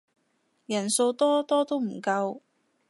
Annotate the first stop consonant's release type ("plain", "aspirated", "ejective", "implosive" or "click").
plain